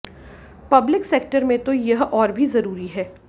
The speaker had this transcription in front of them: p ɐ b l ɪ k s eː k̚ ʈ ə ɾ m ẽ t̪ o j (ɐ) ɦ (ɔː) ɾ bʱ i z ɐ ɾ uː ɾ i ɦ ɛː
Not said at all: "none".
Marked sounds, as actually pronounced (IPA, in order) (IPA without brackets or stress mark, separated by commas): ɐ, ɔː